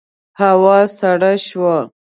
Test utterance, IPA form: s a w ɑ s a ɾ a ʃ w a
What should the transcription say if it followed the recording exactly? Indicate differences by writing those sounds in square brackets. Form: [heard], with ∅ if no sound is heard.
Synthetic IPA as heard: [h] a w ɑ s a [ɽ] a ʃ w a